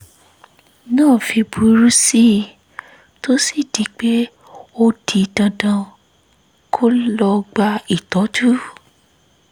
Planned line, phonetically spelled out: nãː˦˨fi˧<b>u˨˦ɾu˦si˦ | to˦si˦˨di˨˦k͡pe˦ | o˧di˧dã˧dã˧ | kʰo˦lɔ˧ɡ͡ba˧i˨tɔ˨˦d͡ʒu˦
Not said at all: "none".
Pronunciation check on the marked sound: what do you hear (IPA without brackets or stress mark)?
b